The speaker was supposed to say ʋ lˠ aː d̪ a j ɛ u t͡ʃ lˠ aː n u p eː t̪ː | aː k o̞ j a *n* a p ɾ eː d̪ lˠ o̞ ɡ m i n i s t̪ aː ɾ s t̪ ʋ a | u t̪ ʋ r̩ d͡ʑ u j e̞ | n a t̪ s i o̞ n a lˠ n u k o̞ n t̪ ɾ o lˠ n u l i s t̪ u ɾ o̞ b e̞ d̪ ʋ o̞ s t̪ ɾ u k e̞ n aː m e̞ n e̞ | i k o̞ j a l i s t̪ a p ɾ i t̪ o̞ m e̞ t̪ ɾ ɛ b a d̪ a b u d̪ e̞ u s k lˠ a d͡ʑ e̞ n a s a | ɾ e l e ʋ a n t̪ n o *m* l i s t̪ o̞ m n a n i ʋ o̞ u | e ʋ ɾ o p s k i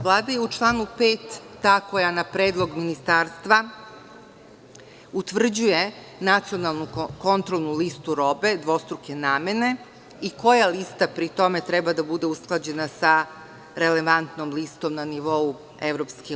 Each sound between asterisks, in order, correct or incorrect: correct, correct

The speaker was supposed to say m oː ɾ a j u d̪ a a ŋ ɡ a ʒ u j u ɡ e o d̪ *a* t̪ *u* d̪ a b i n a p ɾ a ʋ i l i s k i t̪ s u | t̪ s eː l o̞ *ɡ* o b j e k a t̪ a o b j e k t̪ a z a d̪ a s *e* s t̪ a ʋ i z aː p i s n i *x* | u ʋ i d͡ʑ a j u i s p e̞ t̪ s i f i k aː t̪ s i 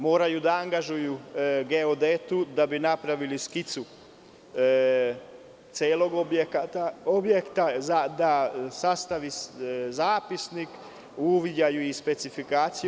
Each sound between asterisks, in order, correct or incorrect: incorrect, correct, correct, incorrect, incorrect

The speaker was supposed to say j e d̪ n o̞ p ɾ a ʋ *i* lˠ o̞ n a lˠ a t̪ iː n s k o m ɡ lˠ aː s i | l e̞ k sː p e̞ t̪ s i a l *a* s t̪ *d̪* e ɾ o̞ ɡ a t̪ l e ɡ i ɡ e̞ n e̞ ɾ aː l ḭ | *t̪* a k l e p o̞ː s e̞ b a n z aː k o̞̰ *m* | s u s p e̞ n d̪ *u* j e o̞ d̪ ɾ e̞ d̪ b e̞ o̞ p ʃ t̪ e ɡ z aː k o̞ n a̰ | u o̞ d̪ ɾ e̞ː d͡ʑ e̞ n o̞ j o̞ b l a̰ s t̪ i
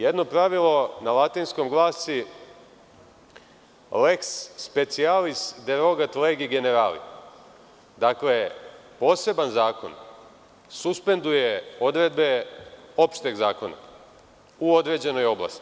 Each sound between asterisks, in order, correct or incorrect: correct, incorrect, correct, incorrect, incorrect, correct

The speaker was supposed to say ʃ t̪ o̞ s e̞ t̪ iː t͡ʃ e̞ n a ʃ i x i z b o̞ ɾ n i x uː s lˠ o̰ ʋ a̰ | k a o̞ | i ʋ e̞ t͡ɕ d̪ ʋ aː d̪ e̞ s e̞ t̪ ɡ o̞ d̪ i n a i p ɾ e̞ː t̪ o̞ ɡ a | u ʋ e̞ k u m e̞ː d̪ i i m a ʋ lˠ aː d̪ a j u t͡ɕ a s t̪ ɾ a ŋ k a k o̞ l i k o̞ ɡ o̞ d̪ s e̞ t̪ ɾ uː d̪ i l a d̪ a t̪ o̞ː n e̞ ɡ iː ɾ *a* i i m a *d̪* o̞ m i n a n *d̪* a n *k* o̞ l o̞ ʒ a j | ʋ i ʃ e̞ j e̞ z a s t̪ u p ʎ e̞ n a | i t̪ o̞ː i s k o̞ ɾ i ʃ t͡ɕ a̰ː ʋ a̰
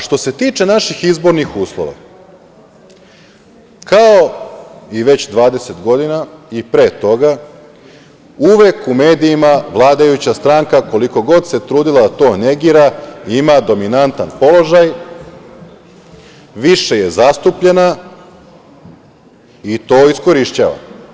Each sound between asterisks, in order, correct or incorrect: correct, correct, incorrect, incorrect

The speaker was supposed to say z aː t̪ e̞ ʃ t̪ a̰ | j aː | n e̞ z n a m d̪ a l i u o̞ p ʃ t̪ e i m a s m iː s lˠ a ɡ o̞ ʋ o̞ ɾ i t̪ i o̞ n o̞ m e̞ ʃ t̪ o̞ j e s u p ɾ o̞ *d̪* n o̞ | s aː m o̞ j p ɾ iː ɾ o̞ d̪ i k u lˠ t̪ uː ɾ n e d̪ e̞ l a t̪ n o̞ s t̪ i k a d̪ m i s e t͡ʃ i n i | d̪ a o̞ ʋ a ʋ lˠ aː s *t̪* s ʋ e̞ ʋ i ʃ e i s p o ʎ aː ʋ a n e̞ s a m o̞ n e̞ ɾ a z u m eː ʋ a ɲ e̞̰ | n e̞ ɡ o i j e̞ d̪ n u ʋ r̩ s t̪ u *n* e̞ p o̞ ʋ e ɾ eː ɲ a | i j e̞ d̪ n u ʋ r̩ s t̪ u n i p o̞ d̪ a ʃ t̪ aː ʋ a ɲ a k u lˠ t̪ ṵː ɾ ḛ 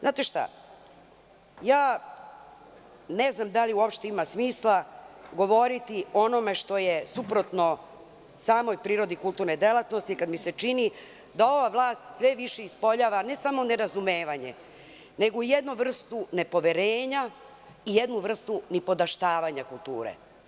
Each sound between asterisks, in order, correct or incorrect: incorrect, correct, correct

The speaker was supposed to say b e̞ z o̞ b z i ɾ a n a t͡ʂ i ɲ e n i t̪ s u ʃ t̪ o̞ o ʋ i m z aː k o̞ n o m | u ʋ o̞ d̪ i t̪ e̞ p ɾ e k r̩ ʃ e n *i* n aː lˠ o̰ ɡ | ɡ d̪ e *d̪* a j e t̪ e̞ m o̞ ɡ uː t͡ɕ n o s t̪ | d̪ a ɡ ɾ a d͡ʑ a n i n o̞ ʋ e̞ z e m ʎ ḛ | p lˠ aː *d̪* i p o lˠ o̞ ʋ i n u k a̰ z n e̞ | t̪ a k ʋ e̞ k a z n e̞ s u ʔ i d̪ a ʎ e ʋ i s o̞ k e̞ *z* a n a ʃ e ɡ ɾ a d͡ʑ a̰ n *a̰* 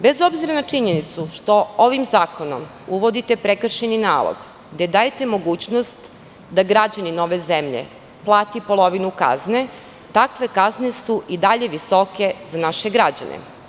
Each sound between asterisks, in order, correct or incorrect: correct, correct, incorrect, correct, incorrect

